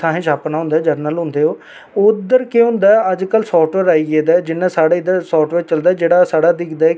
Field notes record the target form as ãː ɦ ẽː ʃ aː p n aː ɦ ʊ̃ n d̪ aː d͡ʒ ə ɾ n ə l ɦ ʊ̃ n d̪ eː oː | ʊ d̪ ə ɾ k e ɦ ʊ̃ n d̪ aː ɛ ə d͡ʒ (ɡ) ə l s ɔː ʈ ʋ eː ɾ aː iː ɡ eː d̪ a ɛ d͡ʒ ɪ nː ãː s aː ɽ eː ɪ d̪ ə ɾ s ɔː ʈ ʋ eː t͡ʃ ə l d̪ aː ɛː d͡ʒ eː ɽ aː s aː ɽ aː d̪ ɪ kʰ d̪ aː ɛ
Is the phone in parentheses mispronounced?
yes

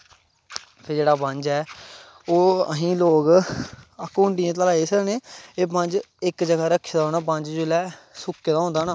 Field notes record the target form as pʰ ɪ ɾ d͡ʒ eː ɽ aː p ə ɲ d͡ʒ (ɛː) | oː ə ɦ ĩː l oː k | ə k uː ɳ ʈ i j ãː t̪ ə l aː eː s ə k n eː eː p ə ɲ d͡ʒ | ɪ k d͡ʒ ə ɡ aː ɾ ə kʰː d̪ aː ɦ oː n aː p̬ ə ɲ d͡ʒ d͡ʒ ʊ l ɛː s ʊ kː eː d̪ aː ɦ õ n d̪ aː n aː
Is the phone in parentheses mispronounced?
no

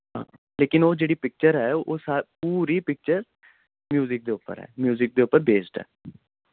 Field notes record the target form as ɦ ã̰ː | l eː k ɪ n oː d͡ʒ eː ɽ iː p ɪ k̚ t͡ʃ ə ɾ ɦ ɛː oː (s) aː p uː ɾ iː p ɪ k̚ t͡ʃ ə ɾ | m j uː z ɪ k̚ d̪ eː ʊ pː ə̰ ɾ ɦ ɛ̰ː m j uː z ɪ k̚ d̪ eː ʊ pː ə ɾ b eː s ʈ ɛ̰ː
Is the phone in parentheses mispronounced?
no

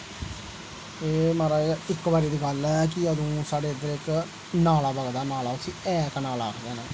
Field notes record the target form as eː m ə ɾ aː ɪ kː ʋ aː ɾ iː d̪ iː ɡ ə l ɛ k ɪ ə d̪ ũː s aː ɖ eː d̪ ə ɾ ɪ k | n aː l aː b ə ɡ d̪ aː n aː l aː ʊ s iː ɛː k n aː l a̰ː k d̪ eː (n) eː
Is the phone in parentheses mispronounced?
no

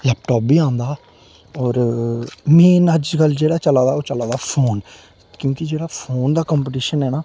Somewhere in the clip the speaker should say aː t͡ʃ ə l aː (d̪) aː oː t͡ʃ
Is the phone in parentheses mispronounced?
no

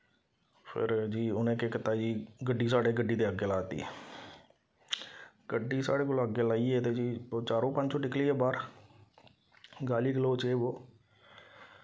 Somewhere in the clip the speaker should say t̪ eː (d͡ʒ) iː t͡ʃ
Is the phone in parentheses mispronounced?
no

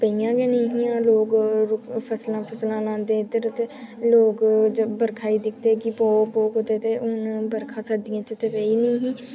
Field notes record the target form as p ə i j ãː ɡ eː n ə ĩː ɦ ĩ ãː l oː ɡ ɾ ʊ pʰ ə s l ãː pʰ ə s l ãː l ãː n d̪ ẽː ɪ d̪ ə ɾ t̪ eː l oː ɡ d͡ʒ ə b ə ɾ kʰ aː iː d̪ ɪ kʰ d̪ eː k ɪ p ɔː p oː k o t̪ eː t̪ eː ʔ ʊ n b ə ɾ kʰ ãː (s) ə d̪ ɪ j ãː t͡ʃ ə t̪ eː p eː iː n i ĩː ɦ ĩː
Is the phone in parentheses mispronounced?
no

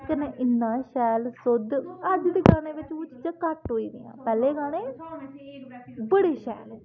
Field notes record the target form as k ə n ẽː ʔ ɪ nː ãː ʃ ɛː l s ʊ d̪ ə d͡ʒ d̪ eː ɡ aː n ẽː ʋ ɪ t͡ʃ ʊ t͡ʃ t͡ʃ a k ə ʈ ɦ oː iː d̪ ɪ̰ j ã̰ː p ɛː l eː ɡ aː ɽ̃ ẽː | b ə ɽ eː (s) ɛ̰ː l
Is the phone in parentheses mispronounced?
yes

